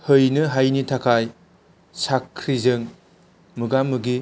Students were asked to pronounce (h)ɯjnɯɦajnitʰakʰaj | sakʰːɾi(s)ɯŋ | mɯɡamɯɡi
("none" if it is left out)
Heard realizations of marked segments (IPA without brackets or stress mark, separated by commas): h, z